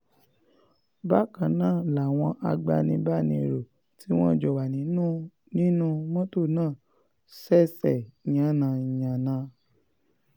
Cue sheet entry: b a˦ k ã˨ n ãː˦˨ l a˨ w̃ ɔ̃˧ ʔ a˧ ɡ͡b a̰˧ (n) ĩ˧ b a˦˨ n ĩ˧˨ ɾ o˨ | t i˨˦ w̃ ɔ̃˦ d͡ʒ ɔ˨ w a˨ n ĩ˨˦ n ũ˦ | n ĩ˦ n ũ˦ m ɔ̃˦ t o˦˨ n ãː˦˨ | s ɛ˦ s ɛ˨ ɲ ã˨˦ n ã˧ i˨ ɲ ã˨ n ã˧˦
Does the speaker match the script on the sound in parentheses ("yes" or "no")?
yes